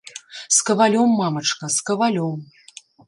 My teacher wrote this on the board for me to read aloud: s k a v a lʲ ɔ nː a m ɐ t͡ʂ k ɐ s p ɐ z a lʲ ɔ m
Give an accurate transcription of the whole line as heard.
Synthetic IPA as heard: s k ɐ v a lʲ ɔ mː a m ɐ t͡ʂ k ɐ s k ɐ v a lʲ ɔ m

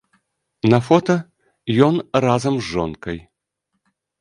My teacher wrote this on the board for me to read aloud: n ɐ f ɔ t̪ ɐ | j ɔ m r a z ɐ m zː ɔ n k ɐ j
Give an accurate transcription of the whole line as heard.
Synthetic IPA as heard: n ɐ f ɔ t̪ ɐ | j ɔ n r a z ɐ m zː ɔ n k ɐ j

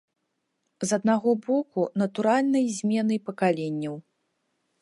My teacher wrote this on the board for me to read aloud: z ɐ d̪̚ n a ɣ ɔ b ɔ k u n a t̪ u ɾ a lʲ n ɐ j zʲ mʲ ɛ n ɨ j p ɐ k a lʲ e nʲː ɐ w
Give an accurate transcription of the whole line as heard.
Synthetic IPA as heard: z ɐ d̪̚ n a ɣ ɔ b ɔ k u n ɐ t̪ u ɾ a lʲ n ɐ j zʲ mʲ ɛ n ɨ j p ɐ k a lʲ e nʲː ɐ w

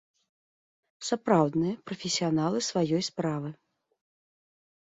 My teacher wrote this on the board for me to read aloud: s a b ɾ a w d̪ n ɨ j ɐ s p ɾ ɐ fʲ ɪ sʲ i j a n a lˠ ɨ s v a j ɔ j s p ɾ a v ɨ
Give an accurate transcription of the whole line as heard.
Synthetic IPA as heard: s a p ɾ a w d̪ n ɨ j ɐ p ɾ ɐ fʲ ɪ sʲ i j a n a lˠ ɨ s v a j ɔ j s p ɾ a v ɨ

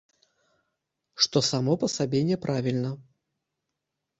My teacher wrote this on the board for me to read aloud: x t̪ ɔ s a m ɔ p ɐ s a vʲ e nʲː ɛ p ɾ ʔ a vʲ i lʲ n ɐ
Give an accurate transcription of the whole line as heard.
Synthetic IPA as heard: ʂ t̪ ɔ s a m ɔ p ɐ s a bʲ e nʲ ɛ p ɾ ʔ a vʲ i lʲ n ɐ

